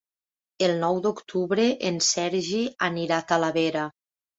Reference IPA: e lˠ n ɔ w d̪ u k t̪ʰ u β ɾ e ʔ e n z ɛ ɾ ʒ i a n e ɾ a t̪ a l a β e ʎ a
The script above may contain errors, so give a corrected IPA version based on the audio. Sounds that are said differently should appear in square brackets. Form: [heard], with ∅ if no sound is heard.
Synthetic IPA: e lˠ n ɔ w d̪ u k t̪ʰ u β ɾ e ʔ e n [s] ɛ ɾ ʒ i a n [i] ɾ a t̪ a l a β e [ɾ] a